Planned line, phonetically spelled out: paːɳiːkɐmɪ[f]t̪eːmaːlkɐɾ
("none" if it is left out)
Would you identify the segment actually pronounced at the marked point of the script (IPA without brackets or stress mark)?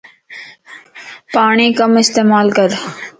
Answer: s